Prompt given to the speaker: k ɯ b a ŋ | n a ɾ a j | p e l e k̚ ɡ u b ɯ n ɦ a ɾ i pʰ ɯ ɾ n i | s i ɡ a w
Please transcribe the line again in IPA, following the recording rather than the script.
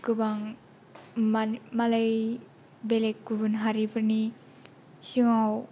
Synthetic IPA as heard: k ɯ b a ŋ | m a l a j | b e l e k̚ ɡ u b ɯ n ɦ a ɾ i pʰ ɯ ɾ n i | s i ŋ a w

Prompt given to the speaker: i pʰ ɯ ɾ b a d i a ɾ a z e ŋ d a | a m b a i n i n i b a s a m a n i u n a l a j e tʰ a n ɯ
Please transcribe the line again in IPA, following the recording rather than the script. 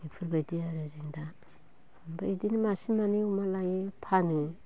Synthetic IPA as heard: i pʰ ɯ ɾ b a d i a ɾ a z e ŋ d a | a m b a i d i n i m a s i m a n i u m a l a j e pʰ a n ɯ

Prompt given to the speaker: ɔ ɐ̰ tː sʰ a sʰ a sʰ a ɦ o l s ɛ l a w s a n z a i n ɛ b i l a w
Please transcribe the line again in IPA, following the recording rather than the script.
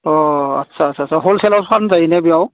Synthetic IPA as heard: ɔ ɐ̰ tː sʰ a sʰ a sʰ a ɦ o l s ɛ l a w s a n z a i n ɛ b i a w

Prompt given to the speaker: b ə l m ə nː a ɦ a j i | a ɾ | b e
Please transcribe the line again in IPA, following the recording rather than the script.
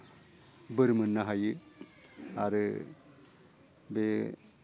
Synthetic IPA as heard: b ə ɾ m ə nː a ɦ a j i | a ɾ | b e

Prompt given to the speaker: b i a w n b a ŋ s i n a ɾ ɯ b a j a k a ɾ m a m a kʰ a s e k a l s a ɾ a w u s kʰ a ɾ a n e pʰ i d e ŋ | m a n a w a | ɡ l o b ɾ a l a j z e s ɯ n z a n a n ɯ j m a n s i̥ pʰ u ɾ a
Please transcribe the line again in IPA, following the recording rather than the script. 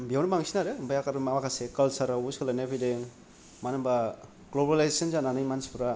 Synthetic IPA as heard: b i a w n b a ŋ s i n a ɾ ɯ b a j a k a ɾ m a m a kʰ a s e k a l s a ɾ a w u s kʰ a l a n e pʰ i d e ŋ | m a n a b a | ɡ l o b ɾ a l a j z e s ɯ n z a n a n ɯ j m a n s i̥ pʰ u ɾ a

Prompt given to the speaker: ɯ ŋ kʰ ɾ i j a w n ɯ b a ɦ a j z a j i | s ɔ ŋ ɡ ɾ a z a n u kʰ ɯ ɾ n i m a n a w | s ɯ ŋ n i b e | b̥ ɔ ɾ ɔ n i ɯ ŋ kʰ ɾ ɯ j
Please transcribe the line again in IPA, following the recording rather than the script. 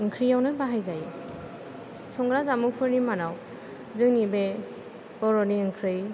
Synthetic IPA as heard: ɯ ŋ kʰ ɾ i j a w n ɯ b a ɦ a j z a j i | s ɔ ŋ ɡ ɾ a z a m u pʰ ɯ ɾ n i m a n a w | z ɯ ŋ n i b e | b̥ ɔ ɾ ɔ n i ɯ ŋ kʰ ɾ ɯ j

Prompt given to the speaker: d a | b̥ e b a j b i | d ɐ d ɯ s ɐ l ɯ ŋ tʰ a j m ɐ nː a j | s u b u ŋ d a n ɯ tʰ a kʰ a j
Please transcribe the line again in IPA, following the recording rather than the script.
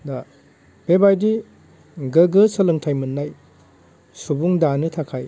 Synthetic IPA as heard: d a | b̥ e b a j d i | ɡ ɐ ɡ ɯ s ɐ l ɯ ŋ tʰ a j m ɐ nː a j | s u b u ŋ d a n ɯ tʰ a kʰ a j

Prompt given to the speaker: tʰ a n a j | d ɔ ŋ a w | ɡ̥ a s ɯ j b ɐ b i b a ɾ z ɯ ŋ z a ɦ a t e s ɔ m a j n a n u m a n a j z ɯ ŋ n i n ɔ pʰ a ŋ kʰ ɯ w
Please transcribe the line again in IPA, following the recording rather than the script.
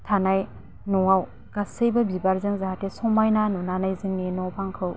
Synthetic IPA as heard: tʰ a n a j | n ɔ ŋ a w | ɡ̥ a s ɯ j b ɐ b i b a ɾ z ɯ ŋ z a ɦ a t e s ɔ m a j n a n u n a n a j z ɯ ŋ n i n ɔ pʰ a ŋ kʰ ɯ w

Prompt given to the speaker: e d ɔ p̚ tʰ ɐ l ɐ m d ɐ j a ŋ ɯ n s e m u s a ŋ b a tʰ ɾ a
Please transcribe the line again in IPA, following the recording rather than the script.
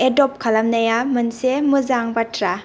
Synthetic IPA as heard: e d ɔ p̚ kʰ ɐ l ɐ m n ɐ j a m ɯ n s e m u z a ŋ b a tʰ ɾ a

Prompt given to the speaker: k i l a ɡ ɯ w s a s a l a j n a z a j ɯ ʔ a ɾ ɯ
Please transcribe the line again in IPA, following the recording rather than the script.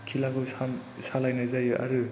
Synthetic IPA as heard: kʰ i l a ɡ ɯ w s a s a l a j n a z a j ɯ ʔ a ɾ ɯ

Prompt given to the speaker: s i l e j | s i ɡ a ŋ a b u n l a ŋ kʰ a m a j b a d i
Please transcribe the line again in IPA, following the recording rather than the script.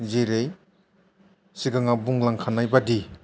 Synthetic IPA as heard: z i ɾ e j | s i ɡ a ŋ a b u ŋ l a ŋ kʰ a n a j b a d i

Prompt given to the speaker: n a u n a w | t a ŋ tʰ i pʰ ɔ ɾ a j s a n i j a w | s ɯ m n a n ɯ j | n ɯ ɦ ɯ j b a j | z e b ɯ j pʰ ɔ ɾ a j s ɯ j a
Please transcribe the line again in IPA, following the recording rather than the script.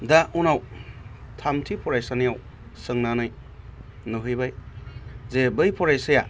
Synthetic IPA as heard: d a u n a w | tʰ a m tʰ i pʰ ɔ ɾ a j s a n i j a w | s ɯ ŋ n a n ɯ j | n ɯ ɦ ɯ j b a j | z e b ɯ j pʰ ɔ ɾ a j s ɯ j a

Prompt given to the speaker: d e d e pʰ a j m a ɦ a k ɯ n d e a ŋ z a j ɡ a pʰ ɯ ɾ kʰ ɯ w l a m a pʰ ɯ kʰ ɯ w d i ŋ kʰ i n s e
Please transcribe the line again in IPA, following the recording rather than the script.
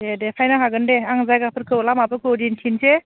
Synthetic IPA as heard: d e d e pʰ a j n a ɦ a ɡ ɯ n d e a ŋ z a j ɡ a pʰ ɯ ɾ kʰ ɯ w l a m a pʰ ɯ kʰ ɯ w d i n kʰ i n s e

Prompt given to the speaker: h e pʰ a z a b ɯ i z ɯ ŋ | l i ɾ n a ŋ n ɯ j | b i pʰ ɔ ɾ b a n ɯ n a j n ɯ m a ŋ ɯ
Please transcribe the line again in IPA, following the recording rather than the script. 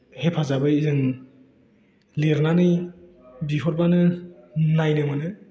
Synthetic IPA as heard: h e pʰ a z a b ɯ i z ɯ ŋ | l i ɾ n a n ɯ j | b i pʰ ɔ ɾ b a n ɯ n a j n ɯ m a n ɯ

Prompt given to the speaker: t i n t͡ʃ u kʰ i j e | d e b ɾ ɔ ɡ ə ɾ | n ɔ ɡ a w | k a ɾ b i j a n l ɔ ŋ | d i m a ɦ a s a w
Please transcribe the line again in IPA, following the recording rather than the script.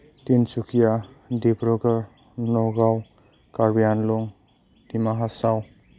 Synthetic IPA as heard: t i n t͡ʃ u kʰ i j a | d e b ɾ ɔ ɡ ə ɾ | n ɔ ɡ a w | k a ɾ b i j a n l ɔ ŋ | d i m a ɦ a s a w

